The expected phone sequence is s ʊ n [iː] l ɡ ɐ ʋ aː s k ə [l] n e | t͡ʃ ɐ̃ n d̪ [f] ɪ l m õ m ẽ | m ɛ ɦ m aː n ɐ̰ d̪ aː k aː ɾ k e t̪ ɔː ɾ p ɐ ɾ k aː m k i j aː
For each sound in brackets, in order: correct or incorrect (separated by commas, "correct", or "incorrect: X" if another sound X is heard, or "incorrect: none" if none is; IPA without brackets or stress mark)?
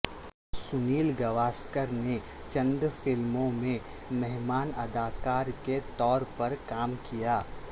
correct, incorrect: ɾ, correct